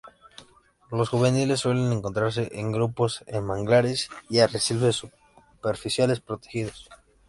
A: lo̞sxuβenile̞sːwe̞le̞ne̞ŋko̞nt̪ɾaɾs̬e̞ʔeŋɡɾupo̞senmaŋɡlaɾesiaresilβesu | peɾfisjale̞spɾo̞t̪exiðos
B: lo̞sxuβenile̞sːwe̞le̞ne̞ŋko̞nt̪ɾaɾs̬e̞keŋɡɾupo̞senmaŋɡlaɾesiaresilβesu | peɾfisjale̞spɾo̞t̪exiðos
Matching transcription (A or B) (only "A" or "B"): A